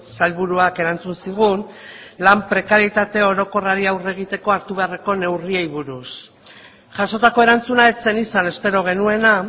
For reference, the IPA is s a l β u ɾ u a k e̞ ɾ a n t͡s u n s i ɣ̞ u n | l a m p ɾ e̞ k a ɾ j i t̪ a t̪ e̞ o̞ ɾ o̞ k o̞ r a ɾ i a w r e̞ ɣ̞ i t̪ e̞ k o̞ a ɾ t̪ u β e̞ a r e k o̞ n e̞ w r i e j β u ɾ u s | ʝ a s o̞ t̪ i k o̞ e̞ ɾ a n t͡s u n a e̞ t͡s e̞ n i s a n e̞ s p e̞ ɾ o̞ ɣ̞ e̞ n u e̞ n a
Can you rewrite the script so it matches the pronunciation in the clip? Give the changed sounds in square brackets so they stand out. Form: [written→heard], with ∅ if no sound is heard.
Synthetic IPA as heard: s a l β u ɾ u a k e̞ ɾ a n t͡s u n s i ɣ̞ u n | l a m p ɾ e̞ k a ɾ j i t̪ a t̪ e̞ o̞ ɾ o̞ k o̞ r a ɾ i a w r e̞ ɣ̞ i t̪ e̞ k o̞ a ɾ t̪ u β e̞ a r e k o̞ n e̞ w r i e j β u ɾ u s | ʝ a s o̞ t̪ [i→a] k o̞ e̞ ɾ a n t͡s u n a e̞ t͡s e̞ n i s a n e̞ s p e̞ ɾ o̞ ɣ̞ e̞ n u e̞ n a